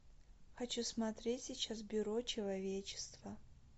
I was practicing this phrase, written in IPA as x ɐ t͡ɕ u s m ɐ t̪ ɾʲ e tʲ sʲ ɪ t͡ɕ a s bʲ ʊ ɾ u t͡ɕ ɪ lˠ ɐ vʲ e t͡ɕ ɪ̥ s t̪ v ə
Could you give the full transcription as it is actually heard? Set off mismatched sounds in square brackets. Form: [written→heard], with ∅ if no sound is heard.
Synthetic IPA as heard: x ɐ t͡ɕ u s m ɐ t̪ ɾʲ e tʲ sʲ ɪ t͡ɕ a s bʲ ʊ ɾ [u→o] t͡ɕ ɪ lˠ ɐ vʲ e t͡ɕ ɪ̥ s t̪ v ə